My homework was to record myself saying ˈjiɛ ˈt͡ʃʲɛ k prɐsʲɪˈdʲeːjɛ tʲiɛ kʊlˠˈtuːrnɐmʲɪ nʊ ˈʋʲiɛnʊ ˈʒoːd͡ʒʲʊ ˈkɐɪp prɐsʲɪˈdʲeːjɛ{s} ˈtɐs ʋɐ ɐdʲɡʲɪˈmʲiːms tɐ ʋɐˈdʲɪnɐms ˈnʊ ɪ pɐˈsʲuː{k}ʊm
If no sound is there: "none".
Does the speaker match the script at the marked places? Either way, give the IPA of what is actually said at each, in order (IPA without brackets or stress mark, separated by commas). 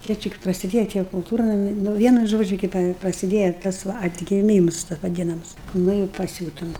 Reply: none, t